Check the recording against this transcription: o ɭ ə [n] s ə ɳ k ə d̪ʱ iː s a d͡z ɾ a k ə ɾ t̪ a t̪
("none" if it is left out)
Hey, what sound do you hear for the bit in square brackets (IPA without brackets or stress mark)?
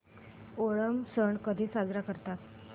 m